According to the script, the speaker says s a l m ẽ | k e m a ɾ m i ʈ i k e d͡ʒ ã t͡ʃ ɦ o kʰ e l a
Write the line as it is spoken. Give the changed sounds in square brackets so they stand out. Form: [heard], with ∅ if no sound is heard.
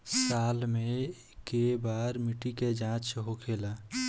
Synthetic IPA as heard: s a l m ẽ | k e [b] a ɾ m i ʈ i k e d͡ʒ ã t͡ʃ ɦ o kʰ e l a